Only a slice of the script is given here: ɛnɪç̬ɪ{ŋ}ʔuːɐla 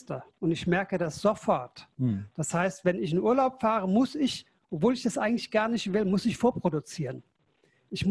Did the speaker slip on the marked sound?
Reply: yes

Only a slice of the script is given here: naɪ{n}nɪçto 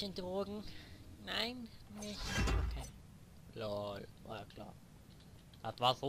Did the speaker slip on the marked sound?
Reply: no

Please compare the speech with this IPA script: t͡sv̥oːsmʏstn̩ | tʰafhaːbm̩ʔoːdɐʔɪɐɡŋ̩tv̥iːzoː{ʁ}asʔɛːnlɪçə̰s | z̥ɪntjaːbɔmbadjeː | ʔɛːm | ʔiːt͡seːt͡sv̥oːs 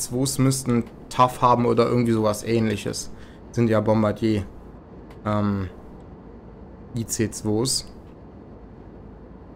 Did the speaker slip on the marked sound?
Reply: yes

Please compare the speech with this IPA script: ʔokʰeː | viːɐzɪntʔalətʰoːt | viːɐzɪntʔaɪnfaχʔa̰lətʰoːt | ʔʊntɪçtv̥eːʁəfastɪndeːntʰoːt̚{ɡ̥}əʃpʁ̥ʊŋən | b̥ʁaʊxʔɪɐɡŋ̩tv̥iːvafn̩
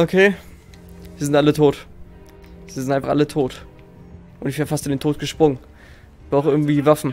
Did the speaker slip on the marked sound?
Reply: no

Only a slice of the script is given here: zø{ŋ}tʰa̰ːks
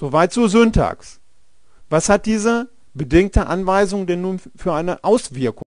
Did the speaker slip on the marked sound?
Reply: yes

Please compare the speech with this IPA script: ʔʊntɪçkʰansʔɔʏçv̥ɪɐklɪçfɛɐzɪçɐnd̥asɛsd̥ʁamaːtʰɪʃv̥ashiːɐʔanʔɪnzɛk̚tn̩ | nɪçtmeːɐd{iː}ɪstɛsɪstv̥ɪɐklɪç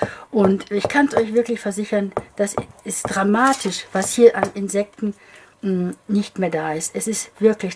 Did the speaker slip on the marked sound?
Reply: yes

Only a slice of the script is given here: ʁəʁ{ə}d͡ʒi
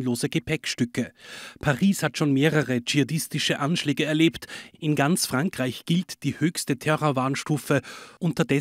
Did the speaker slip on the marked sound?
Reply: no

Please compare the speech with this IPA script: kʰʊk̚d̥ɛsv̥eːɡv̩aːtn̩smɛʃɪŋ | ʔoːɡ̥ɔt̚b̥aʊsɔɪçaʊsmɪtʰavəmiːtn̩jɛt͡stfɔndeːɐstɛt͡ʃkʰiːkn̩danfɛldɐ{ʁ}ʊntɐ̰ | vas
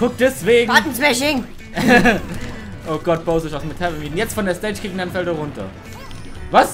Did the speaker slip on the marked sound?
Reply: no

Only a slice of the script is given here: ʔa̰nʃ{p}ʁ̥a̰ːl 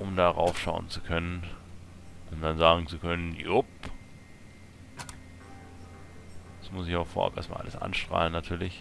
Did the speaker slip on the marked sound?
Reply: yes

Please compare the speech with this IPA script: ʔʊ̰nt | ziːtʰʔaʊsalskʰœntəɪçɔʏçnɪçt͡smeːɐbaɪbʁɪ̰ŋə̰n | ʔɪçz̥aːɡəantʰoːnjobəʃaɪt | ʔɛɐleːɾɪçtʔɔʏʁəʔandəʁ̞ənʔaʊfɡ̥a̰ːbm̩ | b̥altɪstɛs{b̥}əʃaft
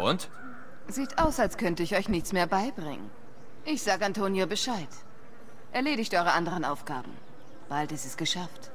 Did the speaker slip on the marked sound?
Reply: yes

